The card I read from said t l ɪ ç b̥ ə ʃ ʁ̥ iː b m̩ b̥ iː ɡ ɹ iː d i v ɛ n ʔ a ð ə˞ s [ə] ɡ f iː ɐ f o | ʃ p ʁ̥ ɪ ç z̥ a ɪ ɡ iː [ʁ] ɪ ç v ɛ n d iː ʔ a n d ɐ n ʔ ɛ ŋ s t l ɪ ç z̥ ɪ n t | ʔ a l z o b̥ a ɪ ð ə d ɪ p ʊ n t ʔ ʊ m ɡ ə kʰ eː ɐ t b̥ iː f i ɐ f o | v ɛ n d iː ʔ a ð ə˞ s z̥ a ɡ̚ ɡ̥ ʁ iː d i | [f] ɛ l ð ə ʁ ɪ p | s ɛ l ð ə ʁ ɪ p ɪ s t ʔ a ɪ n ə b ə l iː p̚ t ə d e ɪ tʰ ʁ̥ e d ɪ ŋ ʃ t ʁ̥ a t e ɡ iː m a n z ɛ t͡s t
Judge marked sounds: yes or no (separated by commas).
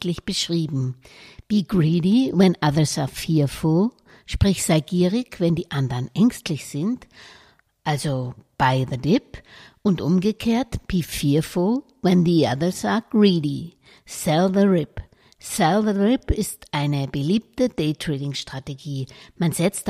no, yes, no